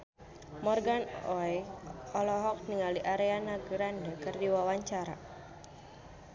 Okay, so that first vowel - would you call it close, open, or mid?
mid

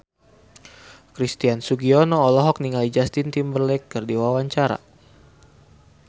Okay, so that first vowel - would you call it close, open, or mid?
close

